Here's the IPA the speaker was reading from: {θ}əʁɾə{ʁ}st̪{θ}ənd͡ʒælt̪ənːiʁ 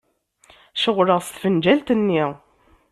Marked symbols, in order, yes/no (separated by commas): no, yes, no